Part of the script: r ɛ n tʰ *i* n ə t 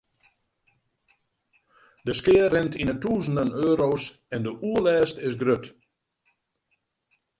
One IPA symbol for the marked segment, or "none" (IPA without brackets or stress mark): i